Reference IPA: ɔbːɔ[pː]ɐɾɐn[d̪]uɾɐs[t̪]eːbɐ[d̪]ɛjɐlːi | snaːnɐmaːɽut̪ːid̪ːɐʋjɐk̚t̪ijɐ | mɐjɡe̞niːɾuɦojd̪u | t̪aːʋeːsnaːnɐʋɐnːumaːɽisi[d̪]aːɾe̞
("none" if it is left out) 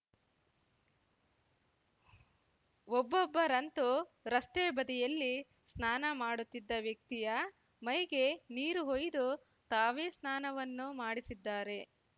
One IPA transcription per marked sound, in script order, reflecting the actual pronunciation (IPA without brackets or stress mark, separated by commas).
bː, t̪, t̪, d̪, d̪ː